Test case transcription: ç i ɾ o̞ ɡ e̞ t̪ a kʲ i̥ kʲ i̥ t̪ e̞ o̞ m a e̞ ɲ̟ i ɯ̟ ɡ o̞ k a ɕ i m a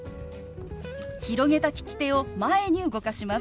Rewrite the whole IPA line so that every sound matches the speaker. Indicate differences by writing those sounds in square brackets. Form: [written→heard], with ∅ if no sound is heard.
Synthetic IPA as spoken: ç i ɾ o̞ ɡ e̞ t̪ a kʲ i̥ kʲ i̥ t̪ e̞ o̞ m a e̞ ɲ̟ i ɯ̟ ɡ o̞ k a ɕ i m a